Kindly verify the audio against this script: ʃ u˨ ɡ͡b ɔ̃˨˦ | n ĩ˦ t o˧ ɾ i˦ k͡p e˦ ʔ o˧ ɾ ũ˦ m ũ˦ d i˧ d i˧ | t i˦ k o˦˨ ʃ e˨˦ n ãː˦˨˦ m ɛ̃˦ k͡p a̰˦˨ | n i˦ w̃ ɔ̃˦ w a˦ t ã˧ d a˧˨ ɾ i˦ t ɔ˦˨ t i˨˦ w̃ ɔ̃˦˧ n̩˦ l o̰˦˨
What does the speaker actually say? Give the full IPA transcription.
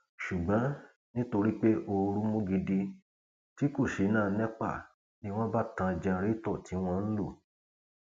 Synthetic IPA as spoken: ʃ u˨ ɡ͡b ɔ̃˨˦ | n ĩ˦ t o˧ ɾ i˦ k͡p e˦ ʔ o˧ ɾ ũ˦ m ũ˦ ɡ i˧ d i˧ | t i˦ k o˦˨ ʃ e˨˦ n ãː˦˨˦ n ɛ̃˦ k͡p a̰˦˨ | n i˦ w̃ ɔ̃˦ b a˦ t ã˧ d͡ʒ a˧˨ ɾ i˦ t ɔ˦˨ t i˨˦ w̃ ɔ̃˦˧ n̩˦ l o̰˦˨